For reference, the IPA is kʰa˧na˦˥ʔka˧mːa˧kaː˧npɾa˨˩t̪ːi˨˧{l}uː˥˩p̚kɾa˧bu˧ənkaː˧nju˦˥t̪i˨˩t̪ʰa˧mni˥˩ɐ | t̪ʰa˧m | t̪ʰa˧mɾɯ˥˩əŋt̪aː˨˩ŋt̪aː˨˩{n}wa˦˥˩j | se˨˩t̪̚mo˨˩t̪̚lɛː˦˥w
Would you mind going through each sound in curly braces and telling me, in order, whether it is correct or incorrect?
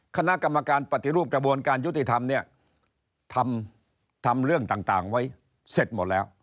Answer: incorrect, incorrect

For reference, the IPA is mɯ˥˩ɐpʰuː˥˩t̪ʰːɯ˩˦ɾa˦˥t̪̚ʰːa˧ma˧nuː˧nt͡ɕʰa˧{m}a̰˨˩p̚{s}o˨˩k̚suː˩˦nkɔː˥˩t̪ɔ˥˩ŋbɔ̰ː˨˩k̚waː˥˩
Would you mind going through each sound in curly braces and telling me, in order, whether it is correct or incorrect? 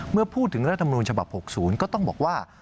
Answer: incorrect, incorrect

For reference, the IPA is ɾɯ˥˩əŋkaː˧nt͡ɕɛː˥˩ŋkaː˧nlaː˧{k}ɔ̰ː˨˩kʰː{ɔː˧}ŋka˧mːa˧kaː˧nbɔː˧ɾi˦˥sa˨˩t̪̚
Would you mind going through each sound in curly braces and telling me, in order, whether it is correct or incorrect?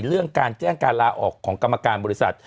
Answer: incorrect, incorrect

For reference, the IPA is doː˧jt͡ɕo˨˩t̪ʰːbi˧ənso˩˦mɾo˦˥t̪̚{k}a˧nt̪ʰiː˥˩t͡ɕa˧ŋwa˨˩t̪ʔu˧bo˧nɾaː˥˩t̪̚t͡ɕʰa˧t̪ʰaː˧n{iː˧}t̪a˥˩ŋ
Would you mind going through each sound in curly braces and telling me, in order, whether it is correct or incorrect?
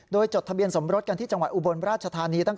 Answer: correct, correct

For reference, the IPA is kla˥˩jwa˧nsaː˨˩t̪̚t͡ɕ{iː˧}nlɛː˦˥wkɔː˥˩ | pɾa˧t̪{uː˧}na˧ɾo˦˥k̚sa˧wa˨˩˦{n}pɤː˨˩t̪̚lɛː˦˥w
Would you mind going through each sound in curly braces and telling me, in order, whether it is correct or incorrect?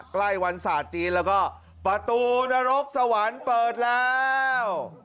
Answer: correct, correct, correct

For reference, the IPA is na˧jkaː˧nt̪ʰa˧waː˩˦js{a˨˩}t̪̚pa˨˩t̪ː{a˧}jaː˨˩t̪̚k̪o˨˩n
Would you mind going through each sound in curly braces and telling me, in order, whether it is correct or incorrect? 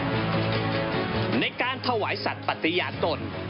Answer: correct, incorrect

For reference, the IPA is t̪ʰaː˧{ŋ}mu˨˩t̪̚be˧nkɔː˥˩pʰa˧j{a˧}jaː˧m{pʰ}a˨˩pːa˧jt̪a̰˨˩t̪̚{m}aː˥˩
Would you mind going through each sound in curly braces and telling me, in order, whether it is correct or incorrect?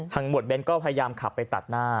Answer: correct, correct, incorrect, incorrect

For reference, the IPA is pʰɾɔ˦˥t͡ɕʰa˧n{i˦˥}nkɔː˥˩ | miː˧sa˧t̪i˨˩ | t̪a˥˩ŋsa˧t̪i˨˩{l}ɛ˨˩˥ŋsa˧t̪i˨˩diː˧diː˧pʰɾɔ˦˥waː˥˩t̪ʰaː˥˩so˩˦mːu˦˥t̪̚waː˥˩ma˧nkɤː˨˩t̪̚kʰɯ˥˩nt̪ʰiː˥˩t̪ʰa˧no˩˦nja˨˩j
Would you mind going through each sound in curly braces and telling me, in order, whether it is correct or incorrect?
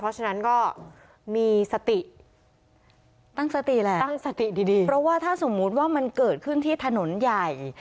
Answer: incorrect, correct

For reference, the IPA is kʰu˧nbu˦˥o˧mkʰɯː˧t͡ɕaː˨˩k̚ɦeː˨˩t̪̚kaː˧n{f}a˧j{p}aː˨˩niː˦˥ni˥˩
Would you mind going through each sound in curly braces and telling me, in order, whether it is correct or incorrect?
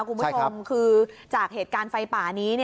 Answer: correct, correct

